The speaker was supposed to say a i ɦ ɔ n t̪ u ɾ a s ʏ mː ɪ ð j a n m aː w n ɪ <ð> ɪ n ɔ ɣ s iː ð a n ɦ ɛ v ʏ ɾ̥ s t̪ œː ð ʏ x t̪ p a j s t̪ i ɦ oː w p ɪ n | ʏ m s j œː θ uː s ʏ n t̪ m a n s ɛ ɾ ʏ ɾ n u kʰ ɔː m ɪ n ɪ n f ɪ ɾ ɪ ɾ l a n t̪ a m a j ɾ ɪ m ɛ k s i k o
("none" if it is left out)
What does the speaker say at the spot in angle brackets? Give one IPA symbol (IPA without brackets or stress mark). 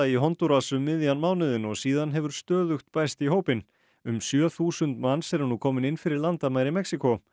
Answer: ð